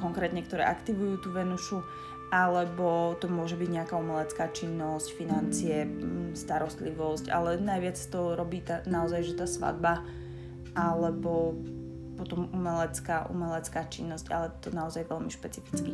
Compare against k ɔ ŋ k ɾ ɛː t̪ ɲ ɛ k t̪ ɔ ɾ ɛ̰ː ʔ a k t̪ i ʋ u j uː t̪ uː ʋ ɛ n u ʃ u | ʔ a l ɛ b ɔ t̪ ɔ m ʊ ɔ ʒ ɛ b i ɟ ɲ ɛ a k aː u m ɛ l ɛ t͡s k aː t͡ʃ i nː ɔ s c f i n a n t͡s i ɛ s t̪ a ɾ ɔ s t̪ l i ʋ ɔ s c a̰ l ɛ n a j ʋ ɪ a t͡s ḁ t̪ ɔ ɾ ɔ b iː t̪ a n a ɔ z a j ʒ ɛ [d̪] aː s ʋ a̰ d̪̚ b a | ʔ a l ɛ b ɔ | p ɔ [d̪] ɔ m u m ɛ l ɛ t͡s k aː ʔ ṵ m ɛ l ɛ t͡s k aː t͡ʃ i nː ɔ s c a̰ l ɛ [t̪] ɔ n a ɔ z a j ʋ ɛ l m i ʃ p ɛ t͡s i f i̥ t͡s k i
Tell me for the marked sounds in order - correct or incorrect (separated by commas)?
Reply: incorrect, incorrect, correct